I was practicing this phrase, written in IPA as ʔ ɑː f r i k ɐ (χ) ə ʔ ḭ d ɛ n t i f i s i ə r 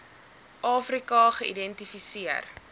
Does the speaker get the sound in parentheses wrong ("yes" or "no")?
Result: no